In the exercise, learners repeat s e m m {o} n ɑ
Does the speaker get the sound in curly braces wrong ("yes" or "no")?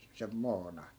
yes